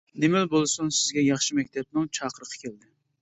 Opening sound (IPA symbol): n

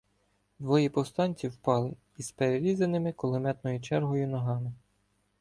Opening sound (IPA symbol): d̪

